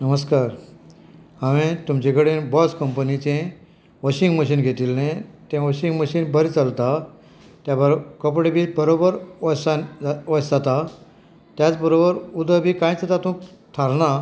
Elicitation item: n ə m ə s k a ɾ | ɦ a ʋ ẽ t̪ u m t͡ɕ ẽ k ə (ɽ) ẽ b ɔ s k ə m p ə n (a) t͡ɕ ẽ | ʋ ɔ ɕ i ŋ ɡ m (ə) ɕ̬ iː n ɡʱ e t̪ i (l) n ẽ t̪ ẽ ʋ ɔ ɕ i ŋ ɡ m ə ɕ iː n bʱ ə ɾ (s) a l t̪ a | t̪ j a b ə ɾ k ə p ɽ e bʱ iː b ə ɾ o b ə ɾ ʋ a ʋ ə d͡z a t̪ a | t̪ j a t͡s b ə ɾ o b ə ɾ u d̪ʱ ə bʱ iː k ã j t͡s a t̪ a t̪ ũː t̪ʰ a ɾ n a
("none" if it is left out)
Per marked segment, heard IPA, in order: ɽ, i, ə, l, t͡s

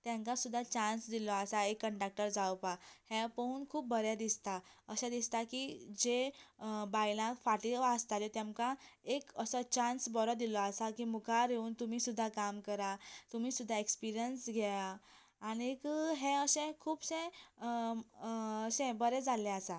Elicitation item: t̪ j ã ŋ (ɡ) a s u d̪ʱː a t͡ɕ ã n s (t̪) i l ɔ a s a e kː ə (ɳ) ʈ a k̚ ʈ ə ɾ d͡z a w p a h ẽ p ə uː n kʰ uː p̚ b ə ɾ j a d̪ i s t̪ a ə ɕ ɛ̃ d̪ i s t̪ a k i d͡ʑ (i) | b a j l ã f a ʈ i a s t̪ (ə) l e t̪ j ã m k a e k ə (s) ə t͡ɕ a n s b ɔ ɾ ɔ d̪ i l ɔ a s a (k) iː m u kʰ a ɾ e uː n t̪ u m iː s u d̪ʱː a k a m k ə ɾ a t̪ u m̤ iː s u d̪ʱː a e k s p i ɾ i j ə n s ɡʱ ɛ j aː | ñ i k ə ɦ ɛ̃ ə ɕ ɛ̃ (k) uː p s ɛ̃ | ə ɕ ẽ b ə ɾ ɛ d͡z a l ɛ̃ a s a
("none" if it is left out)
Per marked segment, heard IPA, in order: k, d̪, ɳ, e, a, s, k, kʰ

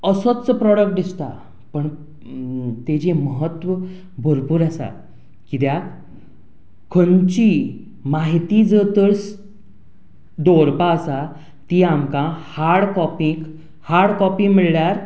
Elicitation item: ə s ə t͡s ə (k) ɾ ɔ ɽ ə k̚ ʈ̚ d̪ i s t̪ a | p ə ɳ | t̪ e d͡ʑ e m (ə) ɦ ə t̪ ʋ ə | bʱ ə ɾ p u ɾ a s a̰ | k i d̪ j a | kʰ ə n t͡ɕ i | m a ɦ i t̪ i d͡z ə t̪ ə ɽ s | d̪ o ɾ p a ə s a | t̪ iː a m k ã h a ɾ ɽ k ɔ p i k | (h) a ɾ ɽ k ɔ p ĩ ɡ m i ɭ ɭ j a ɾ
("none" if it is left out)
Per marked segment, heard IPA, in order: p, ə, h

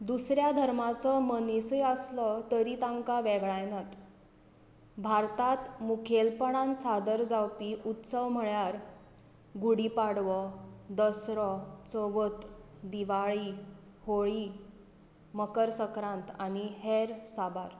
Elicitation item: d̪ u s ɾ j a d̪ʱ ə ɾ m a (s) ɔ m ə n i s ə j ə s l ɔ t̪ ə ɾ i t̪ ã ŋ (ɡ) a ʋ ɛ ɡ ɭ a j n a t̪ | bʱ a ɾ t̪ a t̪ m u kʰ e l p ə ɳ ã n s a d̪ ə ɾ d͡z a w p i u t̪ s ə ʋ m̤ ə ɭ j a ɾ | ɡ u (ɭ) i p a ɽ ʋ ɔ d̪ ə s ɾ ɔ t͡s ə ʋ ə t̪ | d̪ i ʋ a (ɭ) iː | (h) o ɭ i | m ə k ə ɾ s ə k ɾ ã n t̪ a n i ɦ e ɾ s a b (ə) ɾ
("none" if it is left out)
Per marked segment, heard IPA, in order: t͡s, k, ɽ, ɭ, h, a

